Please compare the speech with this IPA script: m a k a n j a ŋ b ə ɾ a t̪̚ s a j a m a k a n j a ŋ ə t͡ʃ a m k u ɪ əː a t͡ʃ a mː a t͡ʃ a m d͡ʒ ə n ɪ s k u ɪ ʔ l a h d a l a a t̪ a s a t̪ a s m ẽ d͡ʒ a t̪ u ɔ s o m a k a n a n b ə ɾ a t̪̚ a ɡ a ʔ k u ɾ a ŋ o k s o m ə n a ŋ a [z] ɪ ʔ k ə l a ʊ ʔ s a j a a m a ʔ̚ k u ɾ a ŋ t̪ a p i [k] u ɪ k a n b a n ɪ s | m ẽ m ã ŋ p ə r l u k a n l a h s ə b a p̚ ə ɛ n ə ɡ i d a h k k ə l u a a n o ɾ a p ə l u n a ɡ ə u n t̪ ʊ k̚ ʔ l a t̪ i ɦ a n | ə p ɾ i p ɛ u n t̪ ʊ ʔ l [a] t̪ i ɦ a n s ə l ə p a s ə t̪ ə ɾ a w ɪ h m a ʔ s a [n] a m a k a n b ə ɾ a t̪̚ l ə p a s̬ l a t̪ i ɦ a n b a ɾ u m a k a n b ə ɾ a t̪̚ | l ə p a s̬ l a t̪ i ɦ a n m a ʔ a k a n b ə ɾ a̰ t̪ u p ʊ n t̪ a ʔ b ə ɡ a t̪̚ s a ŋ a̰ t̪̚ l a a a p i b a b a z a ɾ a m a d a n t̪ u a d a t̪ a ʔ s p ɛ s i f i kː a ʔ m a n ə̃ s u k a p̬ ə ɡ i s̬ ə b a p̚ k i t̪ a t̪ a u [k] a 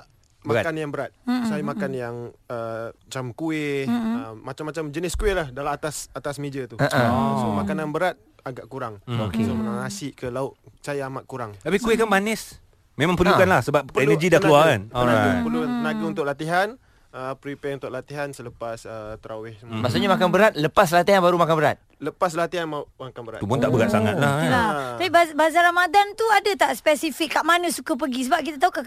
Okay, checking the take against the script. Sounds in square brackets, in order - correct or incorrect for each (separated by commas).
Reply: incorrect, correct, correct, incorrect, correct